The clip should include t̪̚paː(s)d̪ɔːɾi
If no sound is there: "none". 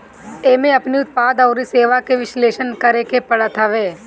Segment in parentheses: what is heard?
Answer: none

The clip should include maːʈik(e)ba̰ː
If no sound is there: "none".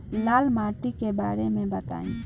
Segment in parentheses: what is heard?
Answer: e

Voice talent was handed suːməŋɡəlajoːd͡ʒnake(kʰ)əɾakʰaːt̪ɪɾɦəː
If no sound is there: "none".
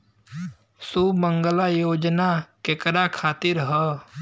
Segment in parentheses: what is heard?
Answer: k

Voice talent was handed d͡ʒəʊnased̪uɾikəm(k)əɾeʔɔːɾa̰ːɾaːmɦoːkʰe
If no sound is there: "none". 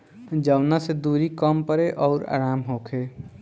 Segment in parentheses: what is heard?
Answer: p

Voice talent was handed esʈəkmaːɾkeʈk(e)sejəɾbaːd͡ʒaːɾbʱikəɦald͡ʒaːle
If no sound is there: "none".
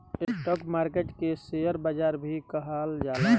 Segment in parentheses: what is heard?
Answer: e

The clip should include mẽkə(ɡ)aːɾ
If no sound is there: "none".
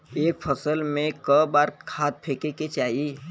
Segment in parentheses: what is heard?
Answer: b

